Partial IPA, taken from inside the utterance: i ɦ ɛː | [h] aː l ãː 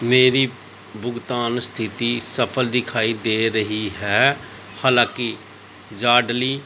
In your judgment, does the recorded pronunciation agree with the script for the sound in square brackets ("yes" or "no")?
yes